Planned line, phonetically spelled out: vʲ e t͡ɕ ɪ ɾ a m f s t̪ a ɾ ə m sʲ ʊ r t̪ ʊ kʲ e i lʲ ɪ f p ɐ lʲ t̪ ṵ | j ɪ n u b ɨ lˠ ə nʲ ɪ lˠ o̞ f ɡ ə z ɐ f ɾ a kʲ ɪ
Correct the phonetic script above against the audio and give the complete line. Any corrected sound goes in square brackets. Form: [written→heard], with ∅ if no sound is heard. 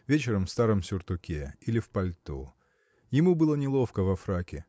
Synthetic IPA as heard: vʲ e t͡ɕ ɪ ɾ [a→ə] m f s t̪ a ɾ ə m sʲ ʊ r t̪ ʊ kʲ e i lʲ ɪ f p ɐ lʲ t̪ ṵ | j ɪ [n→m] u b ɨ lˠ ə nʲ ɪ lˠ o̞ f [ɡ→k] ə [z→v] ɐ f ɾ a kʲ ɪ